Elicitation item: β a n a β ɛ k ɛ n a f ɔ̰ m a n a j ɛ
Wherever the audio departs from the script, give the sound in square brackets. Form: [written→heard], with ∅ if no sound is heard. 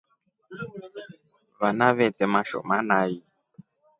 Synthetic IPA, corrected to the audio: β a n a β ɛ [k→t] ɛ [n→m] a [f→ʃ] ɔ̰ m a n a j [ɛ→i]